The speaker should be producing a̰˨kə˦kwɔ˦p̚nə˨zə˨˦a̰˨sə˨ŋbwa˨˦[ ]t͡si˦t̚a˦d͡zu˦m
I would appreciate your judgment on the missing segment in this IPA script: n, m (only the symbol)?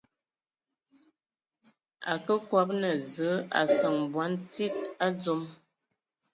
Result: n